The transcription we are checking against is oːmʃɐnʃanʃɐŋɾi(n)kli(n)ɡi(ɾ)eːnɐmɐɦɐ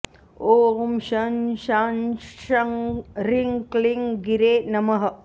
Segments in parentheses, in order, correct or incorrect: incorrect: ŋ, incorrect: ŋ, correct

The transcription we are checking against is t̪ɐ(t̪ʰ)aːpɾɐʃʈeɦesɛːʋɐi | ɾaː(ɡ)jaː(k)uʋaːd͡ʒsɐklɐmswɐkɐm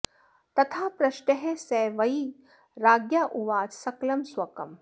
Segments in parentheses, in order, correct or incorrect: correct, correct, incorrect: ʔ

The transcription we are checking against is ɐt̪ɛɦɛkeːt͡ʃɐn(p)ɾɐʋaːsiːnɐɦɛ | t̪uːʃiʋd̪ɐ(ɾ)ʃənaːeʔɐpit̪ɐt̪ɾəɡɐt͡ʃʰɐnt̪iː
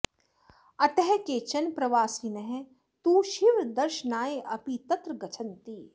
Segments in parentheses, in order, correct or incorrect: correct, correct

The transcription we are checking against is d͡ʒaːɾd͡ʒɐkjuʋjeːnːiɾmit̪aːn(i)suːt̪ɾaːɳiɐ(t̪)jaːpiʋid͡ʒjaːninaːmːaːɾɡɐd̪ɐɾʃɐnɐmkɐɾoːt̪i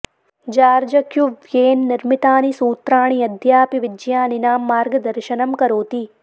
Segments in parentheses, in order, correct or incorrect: correct, incorrect: d̪

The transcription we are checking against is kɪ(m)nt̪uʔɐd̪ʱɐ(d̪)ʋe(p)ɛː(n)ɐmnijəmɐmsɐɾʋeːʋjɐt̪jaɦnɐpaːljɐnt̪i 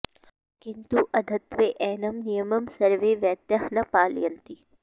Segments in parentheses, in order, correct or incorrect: incorrect: none, incorrect: t̪, incorrect: ʔ, correct

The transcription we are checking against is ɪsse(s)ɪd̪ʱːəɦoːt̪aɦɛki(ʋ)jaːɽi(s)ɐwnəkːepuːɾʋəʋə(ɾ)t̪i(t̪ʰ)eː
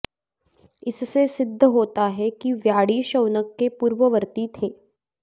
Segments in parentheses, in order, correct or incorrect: correct, correct, incorrect: ʃ, correct, correct

